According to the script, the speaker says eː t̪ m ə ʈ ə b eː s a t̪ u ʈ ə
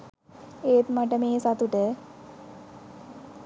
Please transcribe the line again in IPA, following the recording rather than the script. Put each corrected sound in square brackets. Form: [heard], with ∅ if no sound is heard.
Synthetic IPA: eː t̪ m [a] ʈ ə [m] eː s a t̪ u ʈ ə